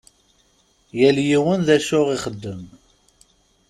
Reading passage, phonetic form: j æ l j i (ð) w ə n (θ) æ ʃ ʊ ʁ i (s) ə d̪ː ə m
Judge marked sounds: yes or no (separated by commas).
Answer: no, no, no